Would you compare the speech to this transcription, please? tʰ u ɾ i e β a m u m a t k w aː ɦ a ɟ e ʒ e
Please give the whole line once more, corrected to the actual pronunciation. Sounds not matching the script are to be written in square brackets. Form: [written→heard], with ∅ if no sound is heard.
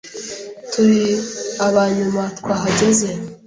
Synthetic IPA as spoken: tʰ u ɾ i [e→a] β a [m→ɲ] u m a t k w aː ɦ a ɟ e [ʒ→z] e